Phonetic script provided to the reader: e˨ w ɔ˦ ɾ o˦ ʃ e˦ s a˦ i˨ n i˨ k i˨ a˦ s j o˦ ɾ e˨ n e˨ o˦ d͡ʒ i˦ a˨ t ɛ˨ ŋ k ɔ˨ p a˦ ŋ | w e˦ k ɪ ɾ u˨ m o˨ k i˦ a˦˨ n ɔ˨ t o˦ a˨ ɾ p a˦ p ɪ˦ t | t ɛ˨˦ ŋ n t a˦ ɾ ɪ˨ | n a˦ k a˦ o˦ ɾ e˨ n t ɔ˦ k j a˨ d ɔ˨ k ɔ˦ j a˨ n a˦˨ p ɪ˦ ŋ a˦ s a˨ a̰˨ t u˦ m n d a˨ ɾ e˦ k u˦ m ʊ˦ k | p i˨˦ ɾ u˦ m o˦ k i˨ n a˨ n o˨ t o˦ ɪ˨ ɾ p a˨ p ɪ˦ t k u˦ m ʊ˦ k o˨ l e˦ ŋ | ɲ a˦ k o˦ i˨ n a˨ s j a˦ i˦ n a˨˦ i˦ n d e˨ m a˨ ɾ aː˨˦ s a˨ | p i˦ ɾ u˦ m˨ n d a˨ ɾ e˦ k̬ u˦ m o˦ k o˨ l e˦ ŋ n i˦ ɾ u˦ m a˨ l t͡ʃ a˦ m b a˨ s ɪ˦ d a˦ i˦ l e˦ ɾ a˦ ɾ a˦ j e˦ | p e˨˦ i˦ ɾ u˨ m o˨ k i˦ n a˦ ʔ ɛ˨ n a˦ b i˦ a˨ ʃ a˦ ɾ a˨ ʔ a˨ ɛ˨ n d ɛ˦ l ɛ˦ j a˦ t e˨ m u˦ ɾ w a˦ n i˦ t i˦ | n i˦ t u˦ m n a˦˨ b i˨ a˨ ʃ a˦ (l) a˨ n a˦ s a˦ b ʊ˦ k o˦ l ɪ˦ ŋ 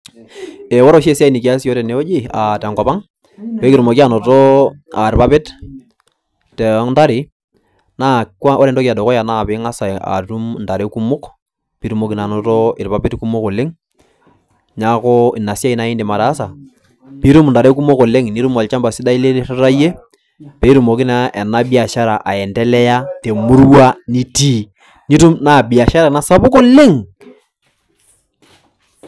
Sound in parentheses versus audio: incorrect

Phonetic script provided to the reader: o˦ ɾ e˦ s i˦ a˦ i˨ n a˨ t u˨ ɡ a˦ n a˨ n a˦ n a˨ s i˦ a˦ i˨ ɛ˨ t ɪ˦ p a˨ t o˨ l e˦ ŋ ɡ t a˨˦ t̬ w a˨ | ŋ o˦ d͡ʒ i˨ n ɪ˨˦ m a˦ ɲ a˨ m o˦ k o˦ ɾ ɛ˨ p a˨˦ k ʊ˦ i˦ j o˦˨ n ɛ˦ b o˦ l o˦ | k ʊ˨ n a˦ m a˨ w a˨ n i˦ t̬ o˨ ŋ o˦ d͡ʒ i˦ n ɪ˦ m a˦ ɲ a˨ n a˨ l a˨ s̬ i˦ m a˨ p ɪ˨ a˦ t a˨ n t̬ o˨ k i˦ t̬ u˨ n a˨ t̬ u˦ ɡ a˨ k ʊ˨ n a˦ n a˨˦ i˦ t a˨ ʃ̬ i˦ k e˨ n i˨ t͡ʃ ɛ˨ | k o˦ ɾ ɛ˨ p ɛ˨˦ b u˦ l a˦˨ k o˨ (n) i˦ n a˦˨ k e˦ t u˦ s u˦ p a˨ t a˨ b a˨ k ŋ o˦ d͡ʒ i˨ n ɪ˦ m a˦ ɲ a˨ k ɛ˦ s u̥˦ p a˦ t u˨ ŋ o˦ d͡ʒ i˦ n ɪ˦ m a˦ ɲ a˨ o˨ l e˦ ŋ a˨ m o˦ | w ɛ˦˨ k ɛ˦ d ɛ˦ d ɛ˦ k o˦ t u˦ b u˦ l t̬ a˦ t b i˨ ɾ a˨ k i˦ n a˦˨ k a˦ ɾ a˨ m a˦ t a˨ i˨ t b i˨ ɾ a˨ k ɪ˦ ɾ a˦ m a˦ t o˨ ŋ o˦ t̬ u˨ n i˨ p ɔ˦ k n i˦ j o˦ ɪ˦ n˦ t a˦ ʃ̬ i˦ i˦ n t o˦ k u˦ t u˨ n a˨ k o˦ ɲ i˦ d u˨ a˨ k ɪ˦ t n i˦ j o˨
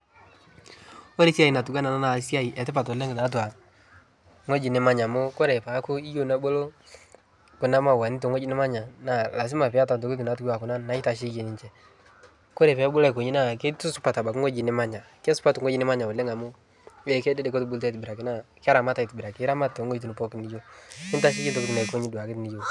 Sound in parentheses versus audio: incorrect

